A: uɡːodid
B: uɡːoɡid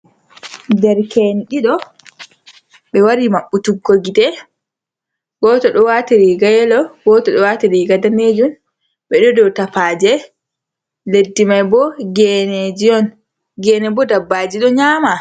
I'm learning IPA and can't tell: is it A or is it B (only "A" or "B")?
B